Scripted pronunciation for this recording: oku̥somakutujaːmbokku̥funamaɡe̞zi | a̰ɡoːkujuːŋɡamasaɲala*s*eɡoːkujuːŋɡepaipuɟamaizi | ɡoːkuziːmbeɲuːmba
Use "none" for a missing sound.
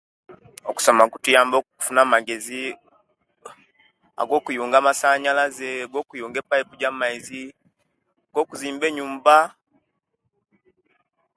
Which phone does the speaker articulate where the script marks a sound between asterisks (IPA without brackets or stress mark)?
z